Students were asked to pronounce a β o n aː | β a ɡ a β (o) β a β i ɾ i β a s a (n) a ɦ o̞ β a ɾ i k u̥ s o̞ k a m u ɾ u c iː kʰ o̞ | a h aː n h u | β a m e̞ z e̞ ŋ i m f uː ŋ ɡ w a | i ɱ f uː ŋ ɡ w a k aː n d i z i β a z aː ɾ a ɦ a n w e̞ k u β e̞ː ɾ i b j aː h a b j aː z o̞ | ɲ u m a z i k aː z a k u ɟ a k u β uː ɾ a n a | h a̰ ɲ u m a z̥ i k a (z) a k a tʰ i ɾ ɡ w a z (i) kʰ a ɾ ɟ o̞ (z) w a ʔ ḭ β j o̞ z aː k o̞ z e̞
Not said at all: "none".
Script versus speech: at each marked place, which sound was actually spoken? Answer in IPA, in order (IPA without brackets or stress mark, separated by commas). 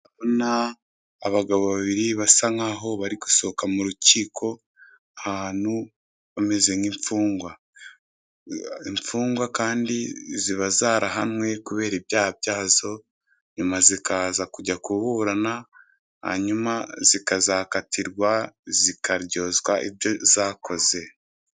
o, ŋ, z, i, z